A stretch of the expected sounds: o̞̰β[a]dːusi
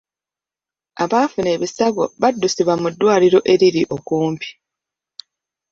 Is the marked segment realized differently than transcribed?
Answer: no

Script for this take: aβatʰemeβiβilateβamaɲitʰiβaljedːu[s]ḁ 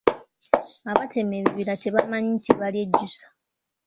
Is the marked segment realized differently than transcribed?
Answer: no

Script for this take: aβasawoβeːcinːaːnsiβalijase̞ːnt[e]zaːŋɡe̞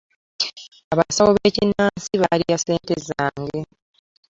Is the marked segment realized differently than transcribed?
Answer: no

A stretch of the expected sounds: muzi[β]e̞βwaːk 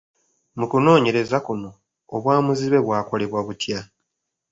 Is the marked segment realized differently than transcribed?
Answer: no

